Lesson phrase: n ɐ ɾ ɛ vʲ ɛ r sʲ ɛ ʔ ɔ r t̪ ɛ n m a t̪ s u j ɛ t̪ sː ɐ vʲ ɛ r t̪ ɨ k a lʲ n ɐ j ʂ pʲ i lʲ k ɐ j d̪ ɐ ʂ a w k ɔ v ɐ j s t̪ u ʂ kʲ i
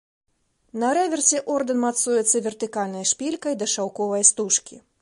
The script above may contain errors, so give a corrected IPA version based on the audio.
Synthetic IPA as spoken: n ɐ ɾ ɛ vʲ ɛ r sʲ ɛ ʔ ɔ r d̪ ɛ n m a t̪ s u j ɛ t̪ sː ɐ vʲ ɛ r t̪ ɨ k a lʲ n ɐ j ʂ pʲ i lʲ k ɐ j d̪ ɐ ʂ a w k ɔ v ɐ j s t̪ u ʂ kʲ i